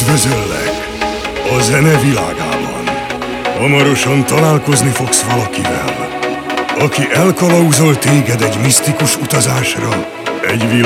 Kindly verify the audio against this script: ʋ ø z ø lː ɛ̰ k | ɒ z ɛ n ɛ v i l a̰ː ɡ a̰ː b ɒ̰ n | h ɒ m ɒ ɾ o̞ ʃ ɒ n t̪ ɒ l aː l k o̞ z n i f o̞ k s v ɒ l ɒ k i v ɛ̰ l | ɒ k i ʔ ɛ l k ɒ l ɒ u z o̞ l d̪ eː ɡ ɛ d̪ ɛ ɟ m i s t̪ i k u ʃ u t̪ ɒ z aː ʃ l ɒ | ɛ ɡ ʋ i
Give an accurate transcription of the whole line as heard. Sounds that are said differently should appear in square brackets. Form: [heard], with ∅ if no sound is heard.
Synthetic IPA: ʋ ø z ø lː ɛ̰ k | ɒ z ɛ n ɛ v i l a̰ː ɡ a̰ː b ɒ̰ n | h ɒ m ɒ ɾ o̞ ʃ ɒ n t̪ ɒ l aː l k o̞ z n i f o̞ k s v ɒ l ɒ k i v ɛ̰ l | ɒ k i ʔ ɛ l k ɒ l ɒ u z o̞ l [t̪] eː ɡ ɛ d̪ ɛ ɟ m i s t̪ i k u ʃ u t̪ ɒ z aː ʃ [r] ɒ | ɛ [ɟ] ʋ i